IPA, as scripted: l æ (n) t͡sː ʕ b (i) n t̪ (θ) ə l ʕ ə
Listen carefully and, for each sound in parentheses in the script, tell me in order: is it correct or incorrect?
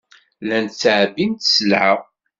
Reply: correct, correct, incorrect

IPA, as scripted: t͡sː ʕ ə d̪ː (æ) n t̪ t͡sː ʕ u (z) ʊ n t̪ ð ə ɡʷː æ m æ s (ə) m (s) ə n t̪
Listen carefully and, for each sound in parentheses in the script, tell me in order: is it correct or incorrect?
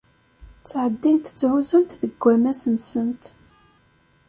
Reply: incorrect, correct, correct, correct

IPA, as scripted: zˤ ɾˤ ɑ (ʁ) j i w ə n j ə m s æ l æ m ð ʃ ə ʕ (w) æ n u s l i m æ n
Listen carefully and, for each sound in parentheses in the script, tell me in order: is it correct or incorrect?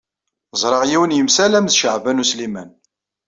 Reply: correct, incorrect

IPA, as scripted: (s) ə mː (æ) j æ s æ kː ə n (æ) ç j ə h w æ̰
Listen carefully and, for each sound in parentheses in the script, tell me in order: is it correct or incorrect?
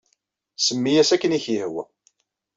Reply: correct, incorrect, incorrect

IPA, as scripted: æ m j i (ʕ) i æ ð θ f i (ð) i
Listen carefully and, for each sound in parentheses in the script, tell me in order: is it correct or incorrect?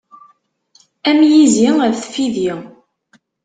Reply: incorrect, correct

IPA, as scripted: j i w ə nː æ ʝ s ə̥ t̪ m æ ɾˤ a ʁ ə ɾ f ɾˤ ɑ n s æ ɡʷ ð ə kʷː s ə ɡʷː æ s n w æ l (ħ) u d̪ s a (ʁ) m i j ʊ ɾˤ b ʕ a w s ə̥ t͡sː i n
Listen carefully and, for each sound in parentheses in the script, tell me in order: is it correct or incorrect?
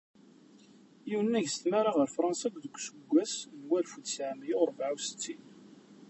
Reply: incorrect, incorrect

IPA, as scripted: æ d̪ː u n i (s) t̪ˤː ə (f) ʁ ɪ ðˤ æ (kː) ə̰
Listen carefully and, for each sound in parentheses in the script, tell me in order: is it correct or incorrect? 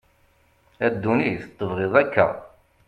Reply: incorrect, incorrect, correct

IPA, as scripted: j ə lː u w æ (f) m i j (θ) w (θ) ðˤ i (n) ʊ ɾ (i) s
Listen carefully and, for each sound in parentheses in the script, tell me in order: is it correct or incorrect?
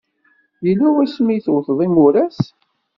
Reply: incorrect, correct, correct, incorrect, incorrect

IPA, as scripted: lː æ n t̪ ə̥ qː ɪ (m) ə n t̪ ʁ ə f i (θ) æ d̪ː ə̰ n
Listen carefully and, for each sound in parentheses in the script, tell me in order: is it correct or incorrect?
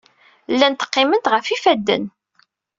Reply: correct, incorrect

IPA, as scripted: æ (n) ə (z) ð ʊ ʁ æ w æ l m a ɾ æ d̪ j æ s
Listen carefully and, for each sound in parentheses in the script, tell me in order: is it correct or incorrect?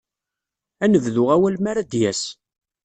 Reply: correct, incorrect

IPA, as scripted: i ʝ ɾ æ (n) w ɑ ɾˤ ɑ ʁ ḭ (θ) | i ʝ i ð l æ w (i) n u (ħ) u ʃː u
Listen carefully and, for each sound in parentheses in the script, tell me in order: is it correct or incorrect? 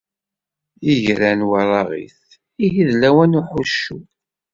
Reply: correct, correct, incorrect, correct

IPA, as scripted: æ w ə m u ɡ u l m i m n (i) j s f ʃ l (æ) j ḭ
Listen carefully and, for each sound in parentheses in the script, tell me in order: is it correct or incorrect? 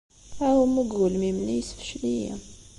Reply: correct, incorrect

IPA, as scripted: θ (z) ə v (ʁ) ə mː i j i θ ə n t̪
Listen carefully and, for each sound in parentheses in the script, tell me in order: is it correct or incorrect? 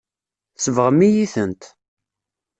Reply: incorrect, correct

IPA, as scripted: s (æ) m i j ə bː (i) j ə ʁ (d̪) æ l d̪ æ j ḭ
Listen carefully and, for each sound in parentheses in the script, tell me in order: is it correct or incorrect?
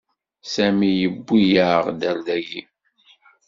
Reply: correct, correct, correct

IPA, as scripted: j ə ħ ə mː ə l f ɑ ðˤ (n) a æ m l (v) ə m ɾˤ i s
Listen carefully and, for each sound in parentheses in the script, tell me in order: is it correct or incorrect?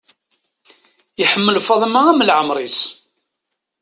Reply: incorrect, incorrect

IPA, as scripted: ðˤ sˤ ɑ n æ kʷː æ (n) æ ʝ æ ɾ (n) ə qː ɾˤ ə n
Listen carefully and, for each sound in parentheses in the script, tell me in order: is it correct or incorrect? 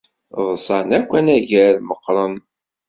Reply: correct, incorrect

